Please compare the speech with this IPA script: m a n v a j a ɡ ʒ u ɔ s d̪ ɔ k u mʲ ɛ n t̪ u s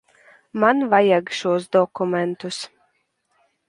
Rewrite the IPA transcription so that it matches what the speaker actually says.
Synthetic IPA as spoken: m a n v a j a ɡ ʃ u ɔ s d̪ ɔ k u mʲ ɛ n t̪ u s